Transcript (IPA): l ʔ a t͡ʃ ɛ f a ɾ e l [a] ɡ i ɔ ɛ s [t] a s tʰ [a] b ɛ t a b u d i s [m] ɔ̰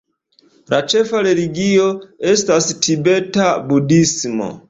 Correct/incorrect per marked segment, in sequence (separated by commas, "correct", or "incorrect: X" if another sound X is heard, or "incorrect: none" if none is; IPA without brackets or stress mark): incorrect: i, correct, incorrect: i, correct